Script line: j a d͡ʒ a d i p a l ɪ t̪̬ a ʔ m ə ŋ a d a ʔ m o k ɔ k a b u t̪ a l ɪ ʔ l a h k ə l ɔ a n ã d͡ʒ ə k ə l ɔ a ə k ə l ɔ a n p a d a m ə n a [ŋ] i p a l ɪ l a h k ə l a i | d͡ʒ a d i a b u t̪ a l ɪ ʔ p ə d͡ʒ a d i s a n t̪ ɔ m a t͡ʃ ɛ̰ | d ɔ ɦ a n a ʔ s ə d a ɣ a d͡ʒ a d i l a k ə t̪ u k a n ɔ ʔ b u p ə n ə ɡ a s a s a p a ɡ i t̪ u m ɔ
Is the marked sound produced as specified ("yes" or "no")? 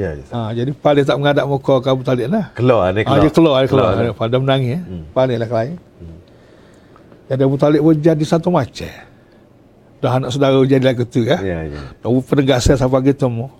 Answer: yes